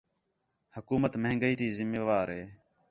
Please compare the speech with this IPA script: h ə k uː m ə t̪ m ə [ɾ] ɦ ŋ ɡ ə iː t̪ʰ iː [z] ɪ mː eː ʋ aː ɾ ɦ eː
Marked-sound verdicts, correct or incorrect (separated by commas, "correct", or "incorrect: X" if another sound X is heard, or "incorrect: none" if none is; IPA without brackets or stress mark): incorrect: none, correct